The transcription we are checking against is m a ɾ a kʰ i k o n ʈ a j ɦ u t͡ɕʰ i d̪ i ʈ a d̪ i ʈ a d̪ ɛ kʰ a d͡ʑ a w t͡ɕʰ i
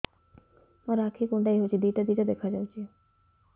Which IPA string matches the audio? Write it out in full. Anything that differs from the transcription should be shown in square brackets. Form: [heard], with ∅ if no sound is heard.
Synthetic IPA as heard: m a ɾ a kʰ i k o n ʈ a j ɦ [o] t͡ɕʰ i d̪ i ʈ a d̪ i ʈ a d̪ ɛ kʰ a d͡ʑ a w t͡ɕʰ i